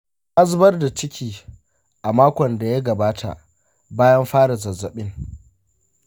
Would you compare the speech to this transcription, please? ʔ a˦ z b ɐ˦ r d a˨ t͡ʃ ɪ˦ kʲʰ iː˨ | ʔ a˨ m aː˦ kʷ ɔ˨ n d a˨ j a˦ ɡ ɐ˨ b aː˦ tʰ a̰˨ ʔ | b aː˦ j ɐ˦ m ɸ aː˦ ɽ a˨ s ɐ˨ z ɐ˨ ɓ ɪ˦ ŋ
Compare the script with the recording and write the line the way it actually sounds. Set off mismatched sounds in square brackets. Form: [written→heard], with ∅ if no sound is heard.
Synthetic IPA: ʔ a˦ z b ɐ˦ r d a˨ t͡ʃ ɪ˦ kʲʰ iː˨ | ʔ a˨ m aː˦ kʷ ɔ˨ n d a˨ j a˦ ɡ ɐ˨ b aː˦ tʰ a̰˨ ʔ | b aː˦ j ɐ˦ m ɸ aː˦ ɽ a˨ [s→z] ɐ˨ z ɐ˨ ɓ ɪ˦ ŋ

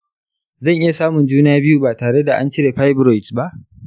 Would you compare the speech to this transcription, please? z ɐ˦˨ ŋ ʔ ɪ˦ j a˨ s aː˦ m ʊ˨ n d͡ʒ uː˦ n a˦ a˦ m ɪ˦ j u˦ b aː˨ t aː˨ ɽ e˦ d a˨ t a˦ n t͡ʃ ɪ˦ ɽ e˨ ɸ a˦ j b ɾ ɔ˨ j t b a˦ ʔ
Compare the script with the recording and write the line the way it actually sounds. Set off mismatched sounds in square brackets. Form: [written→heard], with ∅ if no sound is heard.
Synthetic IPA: z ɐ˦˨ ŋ ʔ ɪ˦ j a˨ s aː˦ m ʊ˨ n d͡ʒ uː˦ n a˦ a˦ [m→b] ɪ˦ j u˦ b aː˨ t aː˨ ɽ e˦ d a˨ [t→ʔ] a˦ n t͡ʃ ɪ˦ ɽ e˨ ɸ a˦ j b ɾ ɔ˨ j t b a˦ ʔ

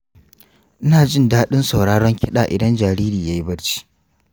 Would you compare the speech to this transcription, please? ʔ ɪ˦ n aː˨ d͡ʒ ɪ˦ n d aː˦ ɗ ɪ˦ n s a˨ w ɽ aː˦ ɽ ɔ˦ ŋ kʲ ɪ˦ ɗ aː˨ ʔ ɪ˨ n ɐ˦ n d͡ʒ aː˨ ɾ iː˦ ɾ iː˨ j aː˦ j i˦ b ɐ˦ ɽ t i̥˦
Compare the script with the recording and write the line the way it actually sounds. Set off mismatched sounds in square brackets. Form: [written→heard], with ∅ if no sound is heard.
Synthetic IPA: ʔ ɪ˦ n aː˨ d͡ʒ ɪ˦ n d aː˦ ɗ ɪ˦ n s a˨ w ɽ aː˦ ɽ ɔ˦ ŋ kʲ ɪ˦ ɗ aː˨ ʔ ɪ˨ [n→d] ɐ˦ n d͡ʒ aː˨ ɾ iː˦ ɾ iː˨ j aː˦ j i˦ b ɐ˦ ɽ [t→t͡ʃ] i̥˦

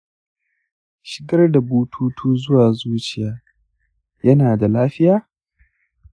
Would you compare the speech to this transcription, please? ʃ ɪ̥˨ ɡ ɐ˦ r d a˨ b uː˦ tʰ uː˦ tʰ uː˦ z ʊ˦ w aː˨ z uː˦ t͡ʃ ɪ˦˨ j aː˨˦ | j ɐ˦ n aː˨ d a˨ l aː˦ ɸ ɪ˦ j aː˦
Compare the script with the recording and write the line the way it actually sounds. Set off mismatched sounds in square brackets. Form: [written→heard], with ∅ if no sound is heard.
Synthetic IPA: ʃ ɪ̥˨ ɡ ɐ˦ r d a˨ b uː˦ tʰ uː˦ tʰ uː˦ z ʊ˦ w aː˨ z uː˦ t͡ʃ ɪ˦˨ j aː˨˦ | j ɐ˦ n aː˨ d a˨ l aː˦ ɸ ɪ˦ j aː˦

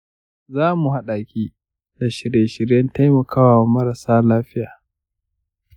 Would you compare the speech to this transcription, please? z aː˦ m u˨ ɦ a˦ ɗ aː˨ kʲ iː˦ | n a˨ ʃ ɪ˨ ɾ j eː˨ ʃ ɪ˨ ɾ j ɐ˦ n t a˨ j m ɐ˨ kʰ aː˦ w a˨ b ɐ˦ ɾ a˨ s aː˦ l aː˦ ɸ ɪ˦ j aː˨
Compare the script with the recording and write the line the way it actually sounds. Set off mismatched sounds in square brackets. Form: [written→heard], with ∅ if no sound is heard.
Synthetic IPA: z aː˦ m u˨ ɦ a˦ ɗ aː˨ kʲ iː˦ | [n→d] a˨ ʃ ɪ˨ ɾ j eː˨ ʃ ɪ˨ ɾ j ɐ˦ n t [a˨→a˦] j m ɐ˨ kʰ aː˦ w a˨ [b→m] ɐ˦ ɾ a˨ s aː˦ l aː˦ ɸ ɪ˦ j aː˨

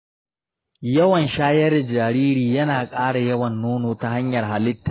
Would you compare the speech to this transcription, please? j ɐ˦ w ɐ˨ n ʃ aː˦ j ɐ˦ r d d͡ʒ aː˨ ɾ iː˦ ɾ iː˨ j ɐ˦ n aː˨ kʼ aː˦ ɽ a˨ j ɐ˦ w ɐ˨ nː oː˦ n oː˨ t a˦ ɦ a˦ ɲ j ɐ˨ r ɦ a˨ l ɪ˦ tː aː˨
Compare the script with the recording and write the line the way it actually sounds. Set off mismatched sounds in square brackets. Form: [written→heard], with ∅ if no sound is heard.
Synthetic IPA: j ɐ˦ w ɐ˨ n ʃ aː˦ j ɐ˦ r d d͡ʒ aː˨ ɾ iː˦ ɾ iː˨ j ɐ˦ n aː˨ kʼ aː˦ ɽ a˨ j ɐ˦ w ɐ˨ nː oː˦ n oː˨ t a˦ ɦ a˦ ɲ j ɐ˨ r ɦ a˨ l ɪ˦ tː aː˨

